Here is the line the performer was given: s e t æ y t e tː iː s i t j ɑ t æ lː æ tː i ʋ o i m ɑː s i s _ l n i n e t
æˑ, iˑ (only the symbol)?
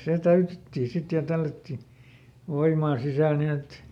æˑ